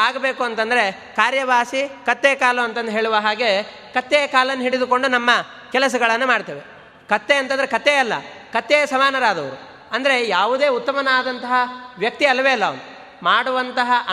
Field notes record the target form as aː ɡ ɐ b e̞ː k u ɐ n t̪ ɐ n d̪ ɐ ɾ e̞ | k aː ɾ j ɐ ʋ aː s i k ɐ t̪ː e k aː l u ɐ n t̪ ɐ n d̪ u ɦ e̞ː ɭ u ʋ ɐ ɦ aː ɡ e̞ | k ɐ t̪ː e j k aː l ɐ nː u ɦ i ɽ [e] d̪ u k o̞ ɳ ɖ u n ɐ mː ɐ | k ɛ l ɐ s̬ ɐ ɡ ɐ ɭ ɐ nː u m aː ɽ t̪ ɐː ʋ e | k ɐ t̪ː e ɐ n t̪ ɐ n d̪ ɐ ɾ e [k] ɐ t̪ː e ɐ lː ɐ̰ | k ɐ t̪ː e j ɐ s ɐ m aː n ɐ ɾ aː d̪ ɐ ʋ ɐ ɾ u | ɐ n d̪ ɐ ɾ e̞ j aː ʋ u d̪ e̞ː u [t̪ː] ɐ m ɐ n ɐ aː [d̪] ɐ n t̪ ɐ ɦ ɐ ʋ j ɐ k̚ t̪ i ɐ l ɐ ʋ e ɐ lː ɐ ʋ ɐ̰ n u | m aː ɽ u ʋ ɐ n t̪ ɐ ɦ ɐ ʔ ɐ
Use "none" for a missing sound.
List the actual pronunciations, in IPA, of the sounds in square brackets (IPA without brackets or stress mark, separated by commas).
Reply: i, k, t̪ː, d̪